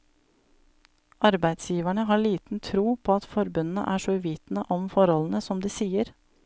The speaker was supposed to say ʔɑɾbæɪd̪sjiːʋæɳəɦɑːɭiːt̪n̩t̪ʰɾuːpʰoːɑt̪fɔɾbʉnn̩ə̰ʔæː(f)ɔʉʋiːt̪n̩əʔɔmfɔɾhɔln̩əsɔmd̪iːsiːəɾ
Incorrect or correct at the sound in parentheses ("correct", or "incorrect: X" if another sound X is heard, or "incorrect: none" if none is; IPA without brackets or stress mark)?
incorrect: ʂ